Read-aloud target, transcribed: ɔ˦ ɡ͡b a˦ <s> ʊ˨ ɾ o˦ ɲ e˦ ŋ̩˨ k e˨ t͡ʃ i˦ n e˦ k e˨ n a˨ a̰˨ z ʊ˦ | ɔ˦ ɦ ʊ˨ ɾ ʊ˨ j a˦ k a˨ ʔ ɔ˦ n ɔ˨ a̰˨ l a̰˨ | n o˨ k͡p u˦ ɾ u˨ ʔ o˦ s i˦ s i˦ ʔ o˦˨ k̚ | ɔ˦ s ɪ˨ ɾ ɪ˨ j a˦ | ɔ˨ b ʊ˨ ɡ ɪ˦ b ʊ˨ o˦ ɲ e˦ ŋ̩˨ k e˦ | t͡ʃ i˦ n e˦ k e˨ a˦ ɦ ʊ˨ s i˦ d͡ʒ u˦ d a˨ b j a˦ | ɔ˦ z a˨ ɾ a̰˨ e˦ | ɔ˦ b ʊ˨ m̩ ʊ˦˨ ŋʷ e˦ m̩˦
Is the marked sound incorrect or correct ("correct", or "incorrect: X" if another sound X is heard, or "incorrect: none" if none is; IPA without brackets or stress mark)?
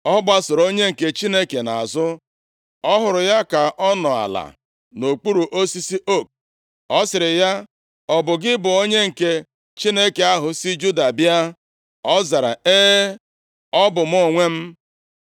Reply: correct